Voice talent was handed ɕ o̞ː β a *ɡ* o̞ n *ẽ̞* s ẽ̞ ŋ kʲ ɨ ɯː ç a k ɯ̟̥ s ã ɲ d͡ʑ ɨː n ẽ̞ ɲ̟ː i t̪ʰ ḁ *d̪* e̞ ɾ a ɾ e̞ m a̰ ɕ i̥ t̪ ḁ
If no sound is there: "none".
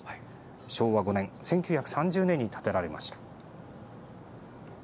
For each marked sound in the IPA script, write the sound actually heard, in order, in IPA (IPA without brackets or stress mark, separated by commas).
ɡ, ẽ̞, t̪